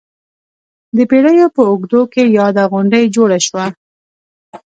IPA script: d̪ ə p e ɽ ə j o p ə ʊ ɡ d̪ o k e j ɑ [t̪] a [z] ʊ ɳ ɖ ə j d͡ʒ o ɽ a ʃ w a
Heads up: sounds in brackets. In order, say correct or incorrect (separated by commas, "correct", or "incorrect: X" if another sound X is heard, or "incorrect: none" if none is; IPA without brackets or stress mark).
incorrect: d̪, incorrect: ɣ